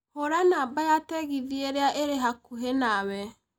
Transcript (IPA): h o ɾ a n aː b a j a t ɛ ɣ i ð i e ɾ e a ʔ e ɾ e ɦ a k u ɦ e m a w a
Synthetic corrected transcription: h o ɾ a n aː b a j a t ɛ ɣ i ð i e ɾ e a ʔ e ɾ e ɦ a k u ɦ e n a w ɛ